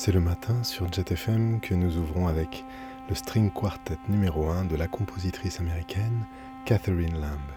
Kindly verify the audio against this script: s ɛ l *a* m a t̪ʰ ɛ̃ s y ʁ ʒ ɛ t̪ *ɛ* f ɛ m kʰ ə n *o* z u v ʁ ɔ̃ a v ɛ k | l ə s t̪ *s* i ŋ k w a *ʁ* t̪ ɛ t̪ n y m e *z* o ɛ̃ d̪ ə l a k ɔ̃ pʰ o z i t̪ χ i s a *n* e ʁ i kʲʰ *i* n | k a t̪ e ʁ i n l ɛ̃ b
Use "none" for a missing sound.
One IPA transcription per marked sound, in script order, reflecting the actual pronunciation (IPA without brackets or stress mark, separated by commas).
ə, ɛ, u, χ, ʁ, ʁ, m, ɛ